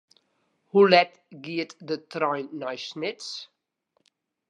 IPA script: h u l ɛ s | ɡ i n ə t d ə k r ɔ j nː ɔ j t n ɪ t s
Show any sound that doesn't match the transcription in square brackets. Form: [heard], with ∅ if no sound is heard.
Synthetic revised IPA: h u l ɛ [t] | ɡ i [∅] ə t d ə [t] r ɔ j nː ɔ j [s] n ɪ t s